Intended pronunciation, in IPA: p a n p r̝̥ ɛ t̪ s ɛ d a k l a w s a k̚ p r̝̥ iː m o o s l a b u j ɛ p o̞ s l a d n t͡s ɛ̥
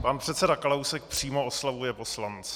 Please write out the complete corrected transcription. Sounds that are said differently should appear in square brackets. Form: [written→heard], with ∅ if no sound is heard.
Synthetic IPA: p a n p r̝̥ ɛ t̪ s ɛ d a k l a w s [a→ɛ] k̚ p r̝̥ iː m o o s l a [b→v] u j ɛ p o̞ s l a [d→∅] n t͡s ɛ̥